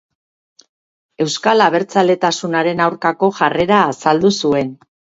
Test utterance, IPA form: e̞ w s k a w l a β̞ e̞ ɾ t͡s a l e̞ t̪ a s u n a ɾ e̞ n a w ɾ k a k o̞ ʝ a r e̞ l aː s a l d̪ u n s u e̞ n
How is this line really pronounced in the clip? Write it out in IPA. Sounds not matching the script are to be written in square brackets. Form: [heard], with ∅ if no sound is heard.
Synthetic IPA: e̞ w s k a [∅] l a β̞ e̞ ɾ t͡s a l e̞ t̪ a s u n a ɾ e̞ n a w ɾ k a k o̞ ʝ a r e̞ [ɾ] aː s a l d̪ u [∅] s u e̞ n